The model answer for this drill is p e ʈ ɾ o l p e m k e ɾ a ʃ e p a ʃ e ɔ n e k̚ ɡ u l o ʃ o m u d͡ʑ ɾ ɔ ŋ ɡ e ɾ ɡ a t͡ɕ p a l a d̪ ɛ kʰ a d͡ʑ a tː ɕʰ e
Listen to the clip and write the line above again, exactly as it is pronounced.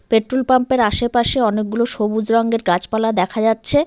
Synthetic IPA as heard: p e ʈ ɾ o l p a m p e ɾ a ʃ e p a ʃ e ɔ n e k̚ ɡ u l o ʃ o b u d͡ʑ ɾ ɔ ŋ ɡ e ɾ ɡ a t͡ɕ p a l a d̪ ɛ kʰ a d͡ʑ a tː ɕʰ e